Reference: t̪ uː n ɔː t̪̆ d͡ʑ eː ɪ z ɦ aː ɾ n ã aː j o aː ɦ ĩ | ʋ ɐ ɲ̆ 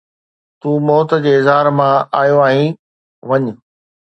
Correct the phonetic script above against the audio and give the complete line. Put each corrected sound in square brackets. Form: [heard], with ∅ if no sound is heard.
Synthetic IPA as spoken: t̪ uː [m] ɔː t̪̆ d͡ʑ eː ɪ z ɦ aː ɾ [m] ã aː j o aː ɦ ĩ | ʋ ɐ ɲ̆